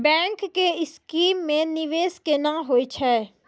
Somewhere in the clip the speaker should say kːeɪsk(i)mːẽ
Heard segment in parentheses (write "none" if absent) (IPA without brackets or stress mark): iː